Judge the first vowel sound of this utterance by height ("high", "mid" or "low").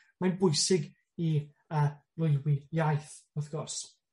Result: low